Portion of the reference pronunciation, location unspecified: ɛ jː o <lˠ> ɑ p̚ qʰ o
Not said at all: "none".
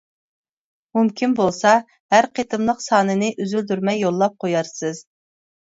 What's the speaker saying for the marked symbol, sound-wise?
lˠː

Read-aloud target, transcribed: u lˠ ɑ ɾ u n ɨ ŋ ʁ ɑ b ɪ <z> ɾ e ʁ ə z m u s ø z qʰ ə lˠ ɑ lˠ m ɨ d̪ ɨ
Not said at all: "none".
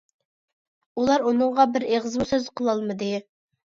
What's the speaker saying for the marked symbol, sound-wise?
none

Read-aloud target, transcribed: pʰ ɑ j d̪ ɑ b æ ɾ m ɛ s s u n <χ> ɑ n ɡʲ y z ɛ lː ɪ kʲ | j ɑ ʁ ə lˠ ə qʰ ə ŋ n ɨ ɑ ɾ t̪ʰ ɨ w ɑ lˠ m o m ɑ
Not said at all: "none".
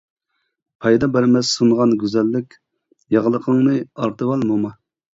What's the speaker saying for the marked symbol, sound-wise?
ʁ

